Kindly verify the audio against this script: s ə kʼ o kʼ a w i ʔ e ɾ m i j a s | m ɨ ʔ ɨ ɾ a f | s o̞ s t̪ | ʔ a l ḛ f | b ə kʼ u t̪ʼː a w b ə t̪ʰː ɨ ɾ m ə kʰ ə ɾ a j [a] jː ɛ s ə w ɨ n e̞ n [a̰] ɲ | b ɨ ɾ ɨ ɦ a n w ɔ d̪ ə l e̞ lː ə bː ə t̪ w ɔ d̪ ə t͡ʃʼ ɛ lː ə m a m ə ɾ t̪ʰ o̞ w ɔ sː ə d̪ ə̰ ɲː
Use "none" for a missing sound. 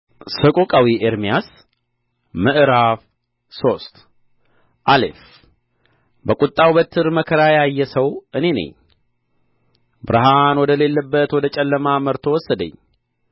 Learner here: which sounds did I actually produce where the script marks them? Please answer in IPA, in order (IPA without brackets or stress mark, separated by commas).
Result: a, ə̰